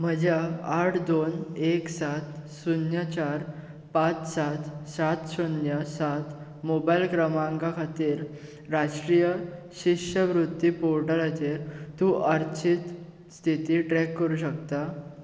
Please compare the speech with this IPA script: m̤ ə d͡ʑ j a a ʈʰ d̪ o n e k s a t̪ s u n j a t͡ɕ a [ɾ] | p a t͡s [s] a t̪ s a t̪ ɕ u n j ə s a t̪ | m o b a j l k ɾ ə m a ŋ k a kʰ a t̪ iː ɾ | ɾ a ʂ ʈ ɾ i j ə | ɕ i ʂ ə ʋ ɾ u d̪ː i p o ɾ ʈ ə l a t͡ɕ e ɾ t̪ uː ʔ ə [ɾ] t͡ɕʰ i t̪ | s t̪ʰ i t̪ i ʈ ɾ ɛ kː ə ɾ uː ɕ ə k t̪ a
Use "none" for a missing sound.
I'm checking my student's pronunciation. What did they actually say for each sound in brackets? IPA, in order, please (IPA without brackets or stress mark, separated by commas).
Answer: ɾ, s, ɾ